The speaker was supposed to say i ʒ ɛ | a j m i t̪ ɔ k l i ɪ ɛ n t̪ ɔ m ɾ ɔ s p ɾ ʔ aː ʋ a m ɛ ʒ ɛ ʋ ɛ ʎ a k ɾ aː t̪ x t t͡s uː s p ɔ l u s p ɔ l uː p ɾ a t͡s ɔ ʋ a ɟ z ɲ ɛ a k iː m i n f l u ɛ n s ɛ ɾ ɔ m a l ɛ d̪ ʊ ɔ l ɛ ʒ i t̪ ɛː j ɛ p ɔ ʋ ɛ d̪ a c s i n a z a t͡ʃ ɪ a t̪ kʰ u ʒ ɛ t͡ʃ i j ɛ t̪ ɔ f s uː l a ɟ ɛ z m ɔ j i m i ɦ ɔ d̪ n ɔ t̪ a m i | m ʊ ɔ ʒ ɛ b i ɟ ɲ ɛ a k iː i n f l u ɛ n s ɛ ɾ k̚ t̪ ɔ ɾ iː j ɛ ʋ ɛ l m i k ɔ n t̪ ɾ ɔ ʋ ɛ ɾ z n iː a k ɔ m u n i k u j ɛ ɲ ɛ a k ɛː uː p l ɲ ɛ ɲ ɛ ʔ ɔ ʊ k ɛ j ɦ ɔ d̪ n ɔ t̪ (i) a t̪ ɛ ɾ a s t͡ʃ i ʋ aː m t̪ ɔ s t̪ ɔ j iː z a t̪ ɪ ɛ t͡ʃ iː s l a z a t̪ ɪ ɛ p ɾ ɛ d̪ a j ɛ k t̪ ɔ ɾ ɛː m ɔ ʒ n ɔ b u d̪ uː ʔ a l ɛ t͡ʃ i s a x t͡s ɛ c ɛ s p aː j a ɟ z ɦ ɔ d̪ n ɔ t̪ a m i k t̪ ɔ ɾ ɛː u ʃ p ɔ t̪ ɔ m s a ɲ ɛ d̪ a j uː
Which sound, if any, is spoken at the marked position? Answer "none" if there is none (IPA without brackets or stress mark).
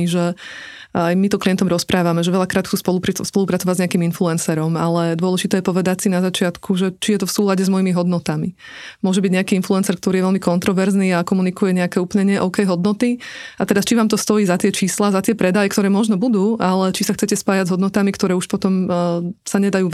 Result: i